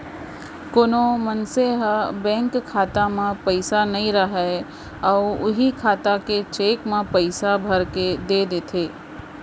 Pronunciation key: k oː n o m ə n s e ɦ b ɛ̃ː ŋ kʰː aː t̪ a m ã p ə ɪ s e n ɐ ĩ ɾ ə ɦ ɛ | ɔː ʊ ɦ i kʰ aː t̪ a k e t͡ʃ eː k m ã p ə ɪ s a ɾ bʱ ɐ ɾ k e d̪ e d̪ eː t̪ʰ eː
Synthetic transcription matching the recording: k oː n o m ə n s e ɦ b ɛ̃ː ŋ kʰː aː t̪ a m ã p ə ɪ s a n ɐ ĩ ɾ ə ɦ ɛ | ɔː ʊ ɦ i kʰ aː t̪ a k e t͡ʃ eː k m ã p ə ɪ s a bʱ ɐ ɾ k e d̪ e d̪ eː t̪ʰ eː